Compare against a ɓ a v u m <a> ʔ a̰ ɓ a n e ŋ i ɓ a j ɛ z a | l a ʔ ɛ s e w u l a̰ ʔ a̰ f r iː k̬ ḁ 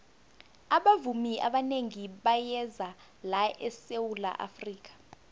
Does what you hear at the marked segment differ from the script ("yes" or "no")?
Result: yes